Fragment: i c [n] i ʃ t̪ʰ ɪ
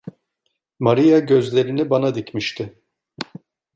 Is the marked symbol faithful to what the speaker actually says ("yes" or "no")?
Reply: no